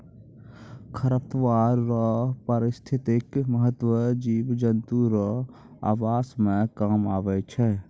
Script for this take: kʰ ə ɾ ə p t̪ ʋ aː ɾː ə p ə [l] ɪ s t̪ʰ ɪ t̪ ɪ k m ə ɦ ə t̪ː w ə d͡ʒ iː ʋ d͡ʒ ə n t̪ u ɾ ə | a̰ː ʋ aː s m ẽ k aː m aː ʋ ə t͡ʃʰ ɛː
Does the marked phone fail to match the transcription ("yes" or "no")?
yes